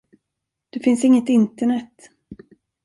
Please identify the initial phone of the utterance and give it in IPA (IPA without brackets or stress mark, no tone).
d̪̥